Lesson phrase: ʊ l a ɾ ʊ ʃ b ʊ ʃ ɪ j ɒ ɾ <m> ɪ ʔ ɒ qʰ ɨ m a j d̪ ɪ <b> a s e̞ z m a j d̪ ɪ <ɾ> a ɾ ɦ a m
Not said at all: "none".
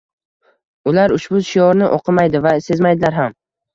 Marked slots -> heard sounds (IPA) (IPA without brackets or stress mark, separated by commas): n, v, l